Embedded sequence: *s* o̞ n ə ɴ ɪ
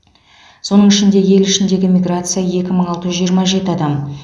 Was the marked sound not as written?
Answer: no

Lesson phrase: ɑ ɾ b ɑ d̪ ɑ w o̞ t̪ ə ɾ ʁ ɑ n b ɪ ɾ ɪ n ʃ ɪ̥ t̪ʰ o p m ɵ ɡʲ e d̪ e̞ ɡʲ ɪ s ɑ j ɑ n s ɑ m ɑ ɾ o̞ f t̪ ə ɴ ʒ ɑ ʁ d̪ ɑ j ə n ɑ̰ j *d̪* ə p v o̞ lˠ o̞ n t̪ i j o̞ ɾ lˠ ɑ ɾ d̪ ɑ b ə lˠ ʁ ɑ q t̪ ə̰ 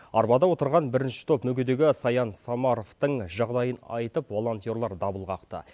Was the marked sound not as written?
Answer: yes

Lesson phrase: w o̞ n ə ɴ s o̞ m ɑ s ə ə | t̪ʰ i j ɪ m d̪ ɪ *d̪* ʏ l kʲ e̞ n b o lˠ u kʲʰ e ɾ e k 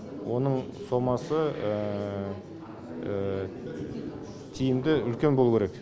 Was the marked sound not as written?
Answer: yes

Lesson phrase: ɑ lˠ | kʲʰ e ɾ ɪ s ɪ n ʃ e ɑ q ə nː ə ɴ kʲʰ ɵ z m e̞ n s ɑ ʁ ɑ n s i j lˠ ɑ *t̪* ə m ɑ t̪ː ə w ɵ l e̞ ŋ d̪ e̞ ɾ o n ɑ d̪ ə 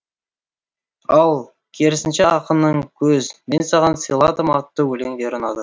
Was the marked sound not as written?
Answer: yes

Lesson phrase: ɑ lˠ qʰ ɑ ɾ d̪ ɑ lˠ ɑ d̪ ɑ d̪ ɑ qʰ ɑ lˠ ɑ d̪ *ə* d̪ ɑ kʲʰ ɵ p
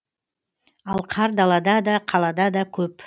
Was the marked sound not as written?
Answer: yes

